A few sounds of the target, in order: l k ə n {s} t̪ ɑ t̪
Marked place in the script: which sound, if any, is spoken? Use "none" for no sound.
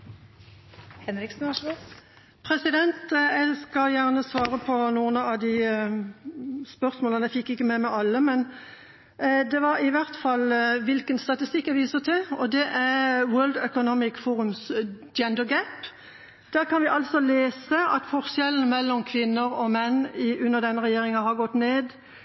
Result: s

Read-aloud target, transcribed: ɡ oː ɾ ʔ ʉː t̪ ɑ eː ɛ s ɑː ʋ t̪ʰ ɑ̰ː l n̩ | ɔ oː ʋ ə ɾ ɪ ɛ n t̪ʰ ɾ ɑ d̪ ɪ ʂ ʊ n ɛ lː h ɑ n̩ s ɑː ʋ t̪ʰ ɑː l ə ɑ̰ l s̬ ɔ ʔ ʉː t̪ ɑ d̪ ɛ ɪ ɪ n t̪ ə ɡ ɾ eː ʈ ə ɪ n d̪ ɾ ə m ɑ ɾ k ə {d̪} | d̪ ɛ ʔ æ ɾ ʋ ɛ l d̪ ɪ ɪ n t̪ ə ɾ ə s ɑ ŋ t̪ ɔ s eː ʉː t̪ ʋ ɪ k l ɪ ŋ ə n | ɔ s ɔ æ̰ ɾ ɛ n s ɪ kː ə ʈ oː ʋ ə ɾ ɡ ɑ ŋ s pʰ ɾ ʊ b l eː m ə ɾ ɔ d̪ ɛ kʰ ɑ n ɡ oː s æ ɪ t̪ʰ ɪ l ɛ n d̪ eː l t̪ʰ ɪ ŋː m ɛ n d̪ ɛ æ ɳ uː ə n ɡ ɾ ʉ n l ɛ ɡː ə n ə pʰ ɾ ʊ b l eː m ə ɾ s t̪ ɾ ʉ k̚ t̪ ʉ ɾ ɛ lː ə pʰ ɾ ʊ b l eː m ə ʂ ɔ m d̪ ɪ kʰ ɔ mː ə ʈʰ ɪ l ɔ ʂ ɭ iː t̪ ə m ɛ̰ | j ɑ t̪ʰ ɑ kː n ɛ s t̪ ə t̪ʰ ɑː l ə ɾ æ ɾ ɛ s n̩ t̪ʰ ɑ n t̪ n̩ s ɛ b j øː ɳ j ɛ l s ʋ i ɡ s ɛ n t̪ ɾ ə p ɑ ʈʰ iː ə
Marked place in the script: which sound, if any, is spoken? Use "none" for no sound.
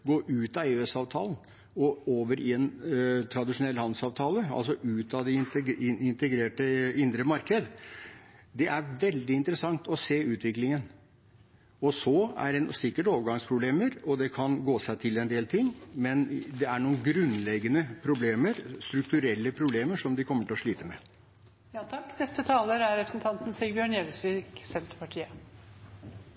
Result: d̪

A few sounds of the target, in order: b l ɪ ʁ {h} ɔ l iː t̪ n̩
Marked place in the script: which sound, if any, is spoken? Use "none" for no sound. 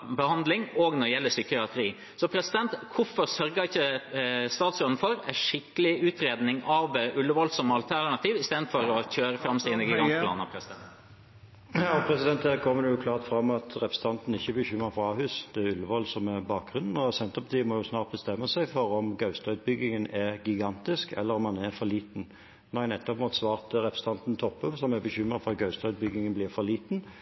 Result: f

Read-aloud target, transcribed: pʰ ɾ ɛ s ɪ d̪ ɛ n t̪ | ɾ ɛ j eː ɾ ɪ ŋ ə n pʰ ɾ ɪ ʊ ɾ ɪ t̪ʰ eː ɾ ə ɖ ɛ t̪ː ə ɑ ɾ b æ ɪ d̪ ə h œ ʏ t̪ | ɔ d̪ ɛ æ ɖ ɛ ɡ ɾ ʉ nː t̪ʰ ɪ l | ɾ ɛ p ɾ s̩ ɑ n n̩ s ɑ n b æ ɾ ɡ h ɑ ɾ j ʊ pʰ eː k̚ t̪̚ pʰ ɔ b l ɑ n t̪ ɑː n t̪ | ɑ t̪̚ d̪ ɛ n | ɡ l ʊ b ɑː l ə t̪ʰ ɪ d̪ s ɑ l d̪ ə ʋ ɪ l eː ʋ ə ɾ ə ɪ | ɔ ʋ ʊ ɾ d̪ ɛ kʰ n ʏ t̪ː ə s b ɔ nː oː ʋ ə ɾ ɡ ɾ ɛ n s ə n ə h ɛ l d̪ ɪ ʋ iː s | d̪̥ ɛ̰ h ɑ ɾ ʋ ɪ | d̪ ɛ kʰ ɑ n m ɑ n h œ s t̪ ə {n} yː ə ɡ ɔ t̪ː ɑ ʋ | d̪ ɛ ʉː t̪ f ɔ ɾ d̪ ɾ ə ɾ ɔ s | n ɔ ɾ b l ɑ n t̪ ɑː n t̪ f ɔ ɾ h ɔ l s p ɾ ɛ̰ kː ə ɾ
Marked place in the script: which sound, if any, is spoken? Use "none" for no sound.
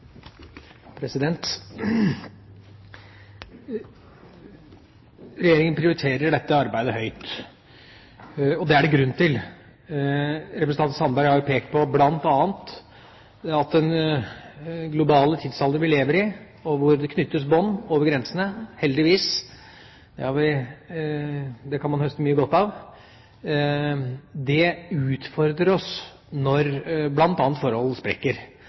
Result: m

